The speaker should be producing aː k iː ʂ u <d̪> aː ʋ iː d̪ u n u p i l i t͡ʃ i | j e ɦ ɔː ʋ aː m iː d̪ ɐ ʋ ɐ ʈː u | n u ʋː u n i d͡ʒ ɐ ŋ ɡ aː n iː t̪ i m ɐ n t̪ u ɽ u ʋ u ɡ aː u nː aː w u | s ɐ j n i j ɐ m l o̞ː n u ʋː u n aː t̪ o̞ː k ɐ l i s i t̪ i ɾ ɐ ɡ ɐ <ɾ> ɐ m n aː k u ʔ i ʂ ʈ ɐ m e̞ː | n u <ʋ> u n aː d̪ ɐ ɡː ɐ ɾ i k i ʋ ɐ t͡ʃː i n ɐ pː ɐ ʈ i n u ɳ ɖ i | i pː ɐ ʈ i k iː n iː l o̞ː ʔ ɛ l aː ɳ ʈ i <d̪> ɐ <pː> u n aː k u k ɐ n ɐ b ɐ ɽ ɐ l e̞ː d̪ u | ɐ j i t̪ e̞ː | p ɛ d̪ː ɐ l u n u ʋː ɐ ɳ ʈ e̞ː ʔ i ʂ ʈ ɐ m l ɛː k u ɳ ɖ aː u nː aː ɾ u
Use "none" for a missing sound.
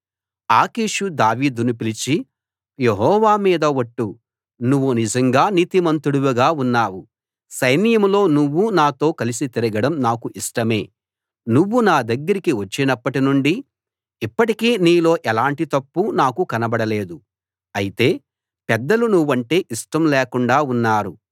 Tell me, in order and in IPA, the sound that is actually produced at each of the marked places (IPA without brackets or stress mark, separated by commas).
d̪, ɽ, ʋː, t̪, pː